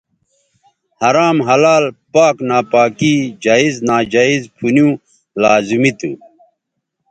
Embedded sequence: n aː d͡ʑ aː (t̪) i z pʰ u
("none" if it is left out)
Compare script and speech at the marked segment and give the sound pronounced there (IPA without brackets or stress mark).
none